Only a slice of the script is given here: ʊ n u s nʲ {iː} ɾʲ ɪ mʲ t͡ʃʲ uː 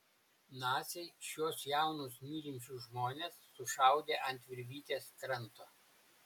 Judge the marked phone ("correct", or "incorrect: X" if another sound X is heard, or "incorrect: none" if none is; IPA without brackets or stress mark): correct